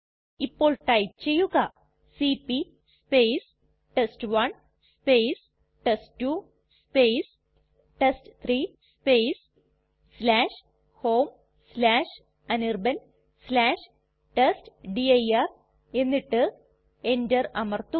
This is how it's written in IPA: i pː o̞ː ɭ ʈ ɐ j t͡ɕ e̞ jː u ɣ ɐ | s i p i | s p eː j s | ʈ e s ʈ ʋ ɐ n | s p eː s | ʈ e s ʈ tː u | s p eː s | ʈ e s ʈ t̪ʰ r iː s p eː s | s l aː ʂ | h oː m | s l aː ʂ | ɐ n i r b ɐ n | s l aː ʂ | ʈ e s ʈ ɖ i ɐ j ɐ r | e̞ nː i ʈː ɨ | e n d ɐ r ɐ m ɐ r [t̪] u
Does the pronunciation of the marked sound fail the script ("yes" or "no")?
no